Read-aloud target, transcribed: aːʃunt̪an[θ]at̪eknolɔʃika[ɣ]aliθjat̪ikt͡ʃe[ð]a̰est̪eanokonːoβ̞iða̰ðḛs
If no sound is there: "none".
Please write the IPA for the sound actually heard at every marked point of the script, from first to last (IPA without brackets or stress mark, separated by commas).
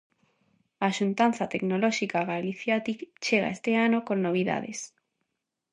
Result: θ, ɣ, ɣ